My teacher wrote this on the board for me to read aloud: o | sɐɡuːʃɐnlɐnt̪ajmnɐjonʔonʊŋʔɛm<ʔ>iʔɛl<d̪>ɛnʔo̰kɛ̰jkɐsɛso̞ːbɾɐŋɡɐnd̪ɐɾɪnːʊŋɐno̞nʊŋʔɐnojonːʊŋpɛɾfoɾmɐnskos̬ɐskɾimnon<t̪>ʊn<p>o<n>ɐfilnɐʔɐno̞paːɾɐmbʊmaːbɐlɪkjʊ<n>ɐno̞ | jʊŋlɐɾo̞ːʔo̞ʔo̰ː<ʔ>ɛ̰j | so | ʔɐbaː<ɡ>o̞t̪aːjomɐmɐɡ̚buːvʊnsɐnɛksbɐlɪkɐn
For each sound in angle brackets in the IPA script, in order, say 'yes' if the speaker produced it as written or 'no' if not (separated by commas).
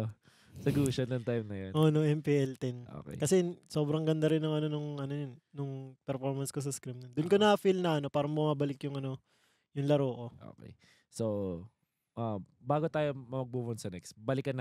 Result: no, no, no, no, yes, no, no, yes